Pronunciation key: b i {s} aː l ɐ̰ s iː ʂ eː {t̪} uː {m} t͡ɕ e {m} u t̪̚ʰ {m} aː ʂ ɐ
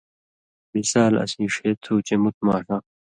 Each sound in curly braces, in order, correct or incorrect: correct, incorrect, incorrect, correct, correct

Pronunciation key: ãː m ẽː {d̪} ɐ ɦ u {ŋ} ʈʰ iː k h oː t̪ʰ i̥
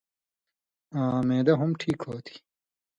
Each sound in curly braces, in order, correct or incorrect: correct, incorrect

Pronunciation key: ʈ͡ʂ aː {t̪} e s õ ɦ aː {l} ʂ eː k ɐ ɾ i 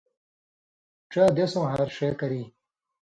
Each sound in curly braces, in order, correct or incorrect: incorrect, incorrect

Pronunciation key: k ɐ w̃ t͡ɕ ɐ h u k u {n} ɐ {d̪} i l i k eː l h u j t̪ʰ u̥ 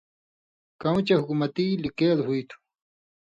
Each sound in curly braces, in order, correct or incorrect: incorrect, incorrect

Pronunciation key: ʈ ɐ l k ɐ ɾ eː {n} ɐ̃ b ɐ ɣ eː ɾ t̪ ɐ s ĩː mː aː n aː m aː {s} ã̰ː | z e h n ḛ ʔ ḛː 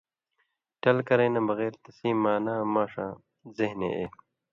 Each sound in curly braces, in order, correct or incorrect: correct, incorrect

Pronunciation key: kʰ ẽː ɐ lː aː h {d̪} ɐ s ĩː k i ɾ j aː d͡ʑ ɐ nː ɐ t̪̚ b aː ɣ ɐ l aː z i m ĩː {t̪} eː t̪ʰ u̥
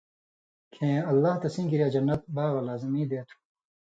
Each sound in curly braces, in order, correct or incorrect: incorrect, incorrect

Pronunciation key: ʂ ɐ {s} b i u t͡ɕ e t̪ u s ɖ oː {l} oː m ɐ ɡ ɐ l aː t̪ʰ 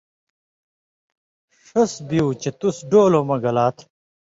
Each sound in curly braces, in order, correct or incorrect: correct, correct

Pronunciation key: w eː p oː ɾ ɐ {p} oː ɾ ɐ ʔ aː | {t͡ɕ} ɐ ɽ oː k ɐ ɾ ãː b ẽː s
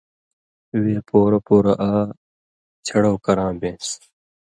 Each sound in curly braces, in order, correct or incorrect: correct, incorrect

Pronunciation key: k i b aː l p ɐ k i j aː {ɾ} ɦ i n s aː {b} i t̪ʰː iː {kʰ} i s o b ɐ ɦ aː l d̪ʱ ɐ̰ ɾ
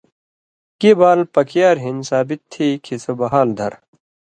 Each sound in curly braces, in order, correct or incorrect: correct, correct, correct

